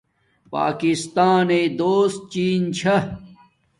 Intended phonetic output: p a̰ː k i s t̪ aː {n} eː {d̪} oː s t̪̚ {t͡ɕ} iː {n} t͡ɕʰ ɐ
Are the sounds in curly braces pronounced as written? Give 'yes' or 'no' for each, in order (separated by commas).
yes, yes, yes, yes